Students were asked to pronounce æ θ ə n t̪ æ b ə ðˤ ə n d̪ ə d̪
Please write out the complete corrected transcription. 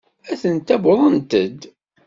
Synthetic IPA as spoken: æ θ ə n t̪ æ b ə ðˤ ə n t̪ ə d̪